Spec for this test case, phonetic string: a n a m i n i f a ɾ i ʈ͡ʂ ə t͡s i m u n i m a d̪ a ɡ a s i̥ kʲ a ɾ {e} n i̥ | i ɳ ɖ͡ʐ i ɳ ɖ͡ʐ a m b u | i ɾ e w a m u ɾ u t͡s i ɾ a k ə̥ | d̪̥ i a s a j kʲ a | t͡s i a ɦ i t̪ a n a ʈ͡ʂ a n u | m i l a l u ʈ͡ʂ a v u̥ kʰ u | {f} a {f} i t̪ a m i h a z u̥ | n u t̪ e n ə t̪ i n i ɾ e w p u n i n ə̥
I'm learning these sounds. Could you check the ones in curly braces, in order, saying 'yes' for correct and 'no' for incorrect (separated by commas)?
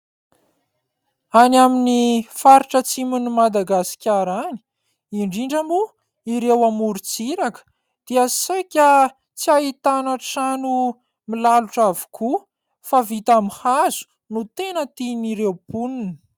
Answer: no, yes, no